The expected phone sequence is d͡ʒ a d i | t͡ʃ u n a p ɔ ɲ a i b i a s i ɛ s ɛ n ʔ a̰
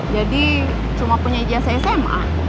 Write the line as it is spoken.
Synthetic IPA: d͡ʒ a d i | t͡ʃ u m a p u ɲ a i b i a s a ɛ s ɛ m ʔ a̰